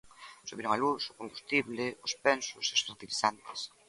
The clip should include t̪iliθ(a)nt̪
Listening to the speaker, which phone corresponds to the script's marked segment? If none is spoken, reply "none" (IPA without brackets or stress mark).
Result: a